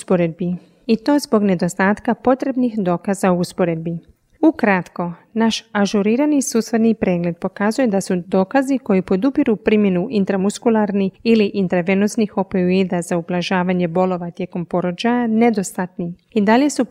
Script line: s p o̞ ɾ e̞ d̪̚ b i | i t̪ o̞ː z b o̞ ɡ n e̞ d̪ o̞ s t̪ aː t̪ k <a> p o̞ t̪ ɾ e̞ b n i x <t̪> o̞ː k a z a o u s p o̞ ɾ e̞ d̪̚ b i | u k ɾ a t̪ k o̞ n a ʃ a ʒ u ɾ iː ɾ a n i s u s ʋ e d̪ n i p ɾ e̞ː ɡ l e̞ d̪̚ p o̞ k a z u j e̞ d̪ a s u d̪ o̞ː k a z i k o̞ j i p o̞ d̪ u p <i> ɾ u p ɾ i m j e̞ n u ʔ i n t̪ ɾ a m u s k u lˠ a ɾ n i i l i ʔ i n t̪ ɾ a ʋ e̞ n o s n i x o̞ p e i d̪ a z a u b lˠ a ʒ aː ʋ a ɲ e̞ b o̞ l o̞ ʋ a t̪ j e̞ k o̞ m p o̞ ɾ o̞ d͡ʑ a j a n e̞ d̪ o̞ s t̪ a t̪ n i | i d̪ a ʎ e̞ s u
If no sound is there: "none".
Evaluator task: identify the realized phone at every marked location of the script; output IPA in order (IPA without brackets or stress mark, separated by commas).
a, d̪, i